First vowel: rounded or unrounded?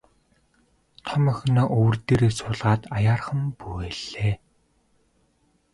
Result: rounded